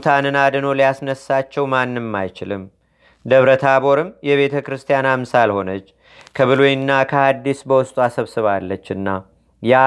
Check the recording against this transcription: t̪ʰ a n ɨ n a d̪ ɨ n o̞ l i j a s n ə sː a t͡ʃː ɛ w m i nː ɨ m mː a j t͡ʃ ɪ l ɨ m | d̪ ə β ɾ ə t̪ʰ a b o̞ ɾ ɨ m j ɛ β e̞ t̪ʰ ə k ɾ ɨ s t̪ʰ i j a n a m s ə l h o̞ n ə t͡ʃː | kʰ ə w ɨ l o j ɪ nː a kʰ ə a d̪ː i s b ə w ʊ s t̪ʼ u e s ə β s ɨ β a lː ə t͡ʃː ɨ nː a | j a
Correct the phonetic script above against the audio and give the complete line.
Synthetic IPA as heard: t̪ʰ a n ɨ n a d̪ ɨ n o̞ l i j a s n ə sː a t͡ʃː ɛ w m a nː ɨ m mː a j t͡ʃ ɪ l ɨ m | d̪ ə β ɾ ə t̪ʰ a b o̞ ɾ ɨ m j ɛ β e̞ t̪ʰ ə k ɾ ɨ s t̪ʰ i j a n a m s a l h o̞ n ə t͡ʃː | kʰ ə β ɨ l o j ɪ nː a kʰ ə a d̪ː i s b ə w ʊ s t̪ʼ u a s ə β s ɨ β a lː ə t͡ʃː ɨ nː a | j a